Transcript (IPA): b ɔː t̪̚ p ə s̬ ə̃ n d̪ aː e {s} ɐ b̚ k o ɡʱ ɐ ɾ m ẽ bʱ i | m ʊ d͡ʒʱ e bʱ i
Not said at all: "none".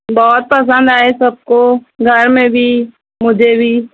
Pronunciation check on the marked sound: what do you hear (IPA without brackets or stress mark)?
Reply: s